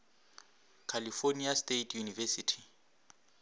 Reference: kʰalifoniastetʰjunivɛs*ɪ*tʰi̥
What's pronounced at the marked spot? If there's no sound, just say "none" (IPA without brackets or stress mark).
i